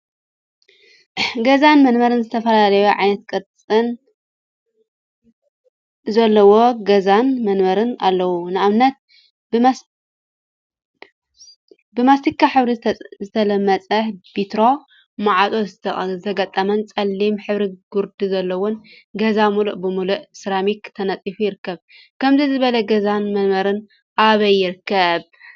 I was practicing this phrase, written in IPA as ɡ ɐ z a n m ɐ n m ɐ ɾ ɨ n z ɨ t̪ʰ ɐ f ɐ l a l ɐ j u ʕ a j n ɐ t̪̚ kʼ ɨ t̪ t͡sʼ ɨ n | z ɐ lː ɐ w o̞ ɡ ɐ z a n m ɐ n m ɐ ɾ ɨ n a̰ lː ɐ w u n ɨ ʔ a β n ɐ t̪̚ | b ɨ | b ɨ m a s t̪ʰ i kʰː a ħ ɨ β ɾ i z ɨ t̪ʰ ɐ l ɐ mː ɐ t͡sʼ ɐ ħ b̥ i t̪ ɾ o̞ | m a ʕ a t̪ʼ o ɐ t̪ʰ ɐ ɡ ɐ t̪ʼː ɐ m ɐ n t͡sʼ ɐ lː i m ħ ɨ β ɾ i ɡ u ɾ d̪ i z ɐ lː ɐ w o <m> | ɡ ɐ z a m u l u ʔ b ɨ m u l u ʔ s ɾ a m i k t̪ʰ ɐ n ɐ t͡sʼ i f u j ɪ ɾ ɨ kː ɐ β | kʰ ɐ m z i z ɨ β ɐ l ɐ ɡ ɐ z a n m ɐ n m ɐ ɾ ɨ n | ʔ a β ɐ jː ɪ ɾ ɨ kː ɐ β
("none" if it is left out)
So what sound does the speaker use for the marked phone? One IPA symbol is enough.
n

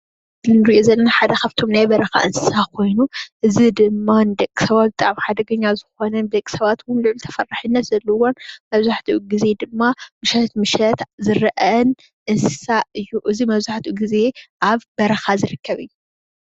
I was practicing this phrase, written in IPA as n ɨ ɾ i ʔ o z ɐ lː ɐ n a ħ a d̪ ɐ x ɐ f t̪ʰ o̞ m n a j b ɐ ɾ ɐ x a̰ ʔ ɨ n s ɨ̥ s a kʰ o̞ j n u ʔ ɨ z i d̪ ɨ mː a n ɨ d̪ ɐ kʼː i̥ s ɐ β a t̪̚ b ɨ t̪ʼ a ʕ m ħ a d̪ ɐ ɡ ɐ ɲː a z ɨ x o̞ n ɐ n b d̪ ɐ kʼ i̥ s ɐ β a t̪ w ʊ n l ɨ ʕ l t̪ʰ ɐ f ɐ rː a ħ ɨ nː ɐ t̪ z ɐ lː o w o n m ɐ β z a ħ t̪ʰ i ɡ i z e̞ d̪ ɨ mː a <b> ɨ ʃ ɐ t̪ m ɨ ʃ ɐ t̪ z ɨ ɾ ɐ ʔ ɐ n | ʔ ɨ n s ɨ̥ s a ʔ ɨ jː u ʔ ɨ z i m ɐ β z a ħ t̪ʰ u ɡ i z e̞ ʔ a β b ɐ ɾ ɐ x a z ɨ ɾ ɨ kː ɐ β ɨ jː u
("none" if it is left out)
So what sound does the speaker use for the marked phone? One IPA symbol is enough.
m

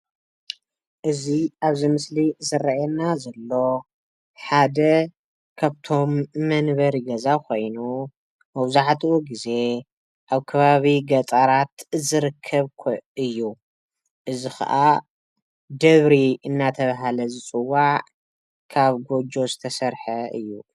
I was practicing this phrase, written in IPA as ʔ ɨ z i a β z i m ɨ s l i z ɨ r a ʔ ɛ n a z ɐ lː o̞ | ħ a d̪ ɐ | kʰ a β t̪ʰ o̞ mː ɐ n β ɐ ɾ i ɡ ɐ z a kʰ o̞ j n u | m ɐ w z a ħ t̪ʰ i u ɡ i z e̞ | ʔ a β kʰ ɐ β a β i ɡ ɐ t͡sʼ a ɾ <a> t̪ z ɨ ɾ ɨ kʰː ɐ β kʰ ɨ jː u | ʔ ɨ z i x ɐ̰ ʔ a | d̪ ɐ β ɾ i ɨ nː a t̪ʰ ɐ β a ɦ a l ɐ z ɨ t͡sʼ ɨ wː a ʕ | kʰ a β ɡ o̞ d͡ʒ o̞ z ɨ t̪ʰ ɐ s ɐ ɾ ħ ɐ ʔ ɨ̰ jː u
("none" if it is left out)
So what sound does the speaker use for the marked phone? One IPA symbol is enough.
a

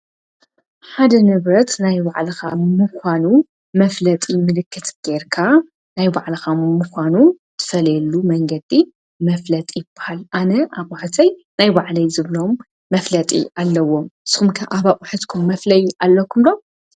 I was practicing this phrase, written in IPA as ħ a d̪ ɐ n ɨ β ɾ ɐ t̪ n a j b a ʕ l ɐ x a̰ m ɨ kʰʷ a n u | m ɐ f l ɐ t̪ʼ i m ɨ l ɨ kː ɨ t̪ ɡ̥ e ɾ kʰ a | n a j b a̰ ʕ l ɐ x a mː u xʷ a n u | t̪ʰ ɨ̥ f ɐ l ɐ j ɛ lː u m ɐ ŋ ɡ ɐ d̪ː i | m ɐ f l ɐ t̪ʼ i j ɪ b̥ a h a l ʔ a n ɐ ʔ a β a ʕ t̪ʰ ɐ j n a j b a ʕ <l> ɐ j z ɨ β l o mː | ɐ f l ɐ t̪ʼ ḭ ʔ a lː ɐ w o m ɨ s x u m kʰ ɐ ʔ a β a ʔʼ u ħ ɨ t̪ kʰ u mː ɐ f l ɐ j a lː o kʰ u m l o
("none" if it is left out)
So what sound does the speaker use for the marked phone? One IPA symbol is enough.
l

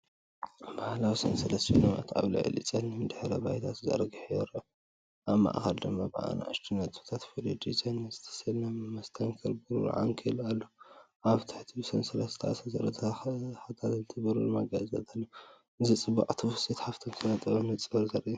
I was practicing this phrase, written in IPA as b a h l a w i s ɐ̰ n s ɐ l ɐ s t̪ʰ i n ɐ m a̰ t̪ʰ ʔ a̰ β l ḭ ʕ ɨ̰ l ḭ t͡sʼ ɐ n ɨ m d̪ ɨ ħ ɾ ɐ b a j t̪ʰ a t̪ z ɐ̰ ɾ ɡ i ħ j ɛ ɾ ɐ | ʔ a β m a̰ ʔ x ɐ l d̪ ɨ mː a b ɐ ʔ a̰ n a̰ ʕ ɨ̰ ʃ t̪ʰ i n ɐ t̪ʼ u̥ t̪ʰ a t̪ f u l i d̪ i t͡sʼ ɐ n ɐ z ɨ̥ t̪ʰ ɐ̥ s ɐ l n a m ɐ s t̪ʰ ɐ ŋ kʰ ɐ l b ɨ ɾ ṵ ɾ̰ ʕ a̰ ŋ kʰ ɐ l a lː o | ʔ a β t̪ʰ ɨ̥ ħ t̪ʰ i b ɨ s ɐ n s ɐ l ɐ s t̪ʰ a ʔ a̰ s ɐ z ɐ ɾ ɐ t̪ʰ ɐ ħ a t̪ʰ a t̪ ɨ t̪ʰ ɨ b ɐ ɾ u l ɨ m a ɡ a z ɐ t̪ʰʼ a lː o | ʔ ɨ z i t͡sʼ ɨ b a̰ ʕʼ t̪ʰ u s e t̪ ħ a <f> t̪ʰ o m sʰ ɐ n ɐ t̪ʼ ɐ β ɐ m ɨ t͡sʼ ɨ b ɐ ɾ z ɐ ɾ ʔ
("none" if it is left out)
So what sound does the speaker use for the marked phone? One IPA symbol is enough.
f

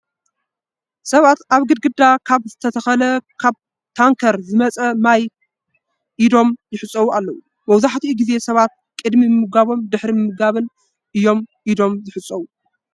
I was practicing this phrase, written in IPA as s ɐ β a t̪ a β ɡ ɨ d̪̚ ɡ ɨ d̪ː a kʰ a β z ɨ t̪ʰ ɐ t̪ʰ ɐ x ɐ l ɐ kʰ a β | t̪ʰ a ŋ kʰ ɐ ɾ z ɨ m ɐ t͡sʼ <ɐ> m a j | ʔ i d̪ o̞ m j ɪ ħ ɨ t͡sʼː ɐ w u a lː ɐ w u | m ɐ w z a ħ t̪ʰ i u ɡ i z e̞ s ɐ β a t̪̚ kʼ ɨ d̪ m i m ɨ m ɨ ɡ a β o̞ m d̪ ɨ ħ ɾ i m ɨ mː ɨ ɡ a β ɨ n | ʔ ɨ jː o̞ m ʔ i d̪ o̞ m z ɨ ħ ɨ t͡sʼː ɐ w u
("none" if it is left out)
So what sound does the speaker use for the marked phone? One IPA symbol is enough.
ɐ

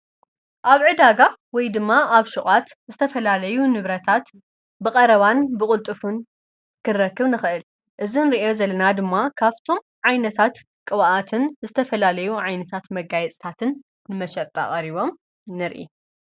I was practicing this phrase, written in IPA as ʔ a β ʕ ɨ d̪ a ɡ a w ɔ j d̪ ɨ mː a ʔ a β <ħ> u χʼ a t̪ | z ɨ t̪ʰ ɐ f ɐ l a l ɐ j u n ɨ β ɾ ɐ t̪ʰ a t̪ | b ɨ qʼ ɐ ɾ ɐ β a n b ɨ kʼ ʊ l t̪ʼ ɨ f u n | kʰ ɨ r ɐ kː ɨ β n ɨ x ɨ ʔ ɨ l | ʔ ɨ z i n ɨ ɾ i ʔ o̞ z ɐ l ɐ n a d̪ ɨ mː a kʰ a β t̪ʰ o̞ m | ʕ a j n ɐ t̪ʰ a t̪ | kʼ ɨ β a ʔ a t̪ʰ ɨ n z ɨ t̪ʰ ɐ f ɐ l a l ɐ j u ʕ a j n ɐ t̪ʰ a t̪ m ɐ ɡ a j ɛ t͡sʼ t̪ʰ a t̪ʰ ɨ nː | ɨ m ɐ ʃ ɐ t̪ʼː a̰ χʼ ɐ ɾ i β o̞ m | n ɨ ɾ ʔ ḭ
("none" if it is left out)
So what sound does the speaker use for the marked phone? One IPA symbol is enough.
ʃ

